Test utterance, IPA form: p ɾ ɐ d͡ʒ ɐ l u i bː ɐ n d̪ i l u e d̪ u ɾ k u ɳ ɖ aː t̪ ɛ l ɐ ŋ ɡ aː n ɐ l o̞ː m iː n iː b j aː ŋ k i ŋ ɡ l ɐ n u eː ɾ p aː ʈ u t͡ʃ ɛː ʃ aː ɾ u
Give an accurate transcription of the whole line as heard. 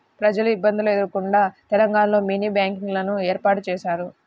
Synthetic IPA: p ɾ ɐ d͡ʒ ɐ l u i bː ɐ n d̪ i l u e d̪ u ɾ k u ɳ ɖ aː t̪ ɛ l ɐ ŋ ɡ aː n ɐ l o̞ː m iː n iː b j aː ŋ k i ŋ ɡ l ɐ n u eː ɾ p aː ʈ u t͡ʃ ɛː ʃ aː ɾ u